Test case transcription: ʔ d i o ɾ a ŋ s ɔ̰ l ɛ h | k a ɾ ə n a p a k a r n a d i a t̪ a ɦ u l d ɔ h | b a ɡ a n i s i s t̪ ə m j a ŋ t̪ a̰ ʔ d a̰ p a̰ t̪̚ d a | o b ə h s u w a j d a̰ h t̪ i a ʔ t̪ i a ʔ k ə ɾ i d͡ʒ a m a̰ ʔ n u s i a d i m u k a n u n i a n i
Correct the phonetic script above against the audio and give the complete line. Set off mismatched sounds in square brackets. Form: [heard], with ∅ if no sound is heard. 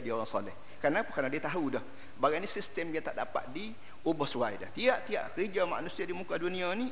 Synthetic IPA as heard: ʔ d i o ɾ a ŋ s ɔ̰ l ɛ h | k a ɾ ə n a p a k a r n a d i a t̪ a ɦ u [∅] d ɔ h | b a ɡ a n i s i s t̪ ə m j a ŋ t̪ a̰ ʔ d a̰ p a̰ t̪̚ d [i] | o b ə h s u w a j d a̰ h t̪ i a ʔ t̪ i a ʔ k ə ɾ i d͡ʒ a m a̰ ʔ n u s i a d i m u k a [d] u n i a n i